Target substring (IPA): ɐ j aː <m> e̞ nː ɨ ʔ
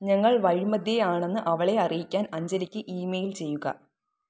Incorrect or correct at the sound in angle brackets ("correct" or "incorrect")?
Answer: incorrect